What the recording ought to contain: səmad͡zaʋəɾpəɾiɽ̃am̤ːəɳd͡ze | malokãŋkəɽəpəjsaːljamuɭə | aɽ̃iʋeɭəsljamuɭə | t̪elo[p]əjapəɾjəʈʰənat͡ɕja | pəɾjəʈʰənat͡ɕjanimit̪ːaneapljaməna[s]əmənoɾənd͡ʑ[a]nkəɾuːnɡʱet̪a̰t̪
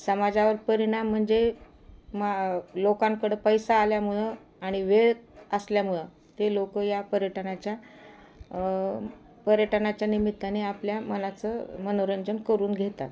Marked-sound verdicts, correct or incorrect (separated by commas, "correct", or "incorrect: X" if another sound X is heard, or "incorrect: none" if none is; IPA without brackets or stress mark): incorrect: k, incorrect: t͡s, incorrect: ə